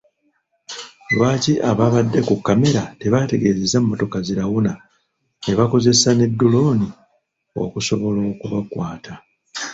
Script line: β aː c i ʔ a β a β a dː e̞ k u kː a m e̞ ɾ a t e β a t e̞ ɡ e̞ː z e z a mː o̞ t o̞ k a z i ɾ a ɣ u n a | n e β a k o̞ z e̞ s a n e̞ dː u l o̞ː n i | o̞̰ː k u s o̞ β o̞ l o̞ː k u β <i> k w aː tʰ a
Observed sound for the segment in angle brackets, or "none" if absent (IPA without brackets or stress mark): a